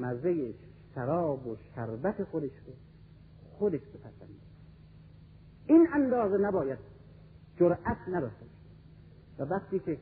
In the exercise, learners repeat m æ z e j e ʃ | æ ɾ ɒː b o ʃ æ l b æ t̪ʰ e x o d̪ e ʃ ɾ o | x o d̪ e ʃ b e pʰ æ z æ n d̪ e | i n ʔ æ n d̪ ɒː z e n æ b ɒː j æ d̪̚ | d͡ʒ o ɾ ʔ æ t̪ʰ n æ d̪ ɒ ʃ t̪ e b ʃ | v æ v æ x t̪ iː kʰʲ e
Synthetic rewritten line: m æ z e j e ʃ | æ ɾ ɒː b o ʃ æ ɾ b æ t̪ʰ e x o d̪ e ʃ ɾ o | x o d̪ e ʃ b e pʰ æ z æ n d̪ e | i n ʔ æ n d̪ ɒː z e n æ b ɒː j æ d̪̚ | d͡ʒ o ɾ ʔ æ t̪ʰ n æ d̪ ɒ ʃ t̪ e b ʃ | v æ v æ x t̪ iː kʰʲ e